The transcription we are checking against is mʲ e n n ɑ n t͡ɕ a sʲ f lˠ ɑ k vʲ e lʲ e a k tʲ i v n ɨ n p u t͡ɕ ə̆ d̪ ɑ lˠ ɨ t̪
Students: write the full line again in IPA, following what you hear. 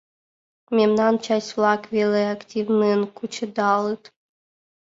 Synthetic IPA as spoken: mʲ e m n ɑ n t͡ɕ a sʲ f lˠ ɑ k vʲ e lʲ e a k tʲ i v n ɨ n k u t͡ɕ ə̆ d̪ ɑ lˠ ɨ t̪